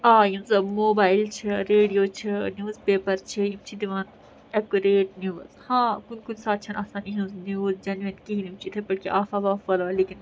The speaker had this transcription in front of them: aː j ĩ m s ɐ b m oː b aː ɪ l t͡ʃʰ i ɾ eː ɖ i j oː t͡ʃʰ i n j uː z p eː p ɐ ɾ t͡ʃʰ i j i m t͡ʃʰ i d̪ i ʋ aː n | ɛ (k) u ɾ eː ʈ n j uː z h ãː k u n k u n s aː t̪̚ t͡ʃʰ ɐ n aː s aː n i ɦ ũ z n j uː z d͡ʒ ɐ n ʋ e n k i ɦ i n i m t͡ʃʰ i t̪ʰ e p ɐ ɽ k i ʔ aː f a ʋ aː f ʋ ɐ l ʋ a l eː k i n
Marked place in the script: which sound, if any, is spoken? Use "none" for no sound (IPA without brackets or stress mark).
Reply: k